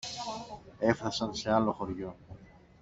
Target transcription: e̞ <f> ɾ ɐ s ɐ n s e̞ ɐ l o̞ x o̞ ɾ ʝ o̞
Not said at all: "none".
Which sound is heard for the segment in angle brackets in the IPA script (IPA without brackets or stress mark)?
f